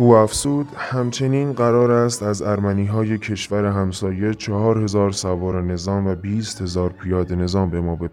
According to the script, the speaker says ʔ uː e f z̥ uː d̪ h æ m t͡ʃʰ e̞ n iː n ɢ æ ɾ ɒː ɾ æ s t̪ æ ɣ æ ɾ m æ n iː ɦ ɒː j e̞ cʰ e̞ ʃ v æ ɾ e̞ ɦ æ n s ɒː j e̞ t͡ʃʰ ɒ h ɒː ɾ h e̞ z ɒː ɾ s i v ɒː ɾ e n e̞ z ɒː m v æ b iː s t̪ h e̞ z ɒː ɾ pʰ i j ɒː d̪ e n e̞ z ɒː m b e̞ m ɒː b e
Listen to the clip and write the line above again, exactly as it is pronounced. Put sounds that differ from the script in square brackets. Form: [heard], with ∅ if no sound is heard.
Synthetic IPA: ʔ uː [æ] f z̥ uː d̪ h æ m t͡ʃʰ e̞ n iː n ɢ æ ɾ ɒː ɾ æ s t̪ æ [z] æ ɾ m æ n iː ɦ ɒː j e̞ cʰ e̞ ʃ v æ ɾ e̞ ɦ æ [m] s ɒː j e̞ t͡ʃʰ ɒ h ɒː ɾ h e̞ z ɒː ɾ s [æ] v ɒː ɾ e n e̞ z ɒː m v æ b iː s t̪ h e̞ z ɒː ɾ pʰ i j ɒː d̪ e n e̞ z ɒː m b e̞ m ɒː b e